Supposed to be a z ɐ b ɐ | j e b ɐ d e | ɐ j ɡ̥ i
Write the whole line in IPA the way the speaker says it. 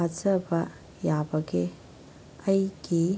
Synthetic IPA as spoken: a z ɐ b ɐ | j a b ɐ ɡ e | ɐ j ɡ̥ i